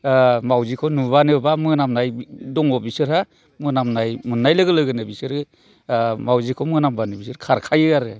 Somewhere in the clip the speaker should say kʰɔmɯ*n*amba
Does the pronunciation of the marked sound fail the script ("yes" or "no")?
no